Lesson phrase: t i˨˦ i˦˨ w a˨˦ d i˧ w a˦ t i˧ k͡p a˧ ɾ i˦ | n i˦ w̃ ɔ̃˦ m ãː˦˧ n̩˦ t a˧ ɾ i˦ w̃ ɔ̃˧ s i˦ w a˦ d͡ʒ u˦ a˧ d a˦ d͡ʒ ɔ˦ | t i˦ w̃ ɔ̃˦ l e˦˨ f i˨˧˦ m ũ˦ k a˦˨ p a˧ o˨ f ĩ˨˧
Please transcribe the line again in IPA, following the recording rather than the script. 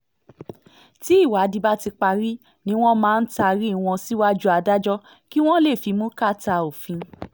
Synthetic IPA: t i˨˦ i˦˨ w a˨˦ d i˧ b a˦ t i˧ k͡p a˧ ɾ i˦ | n ĩ˦ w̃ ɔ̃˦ m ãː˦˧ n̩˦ t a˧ ɾ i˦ w̃ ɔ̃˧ s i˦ w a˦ d͡ʒ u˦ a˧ d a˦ d͡ʒ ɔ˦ | k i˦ w̃ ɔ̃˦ l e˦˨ f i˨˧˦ m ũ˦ k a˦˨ t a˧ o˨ f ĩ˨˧